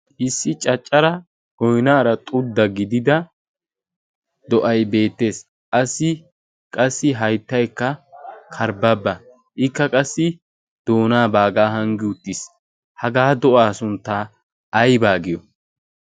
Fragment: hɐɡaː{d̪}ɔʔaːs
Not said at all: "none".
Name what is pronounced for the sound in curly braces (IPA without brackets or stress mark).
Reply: d̪